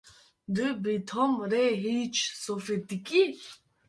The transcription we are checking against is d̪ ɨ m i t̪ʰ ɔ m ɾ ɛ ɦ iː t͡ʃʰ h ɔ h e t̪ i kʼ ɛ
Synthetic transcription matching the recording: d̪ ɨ b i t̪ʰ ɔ m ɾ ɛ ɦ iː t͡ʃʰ s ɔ f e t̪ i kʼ i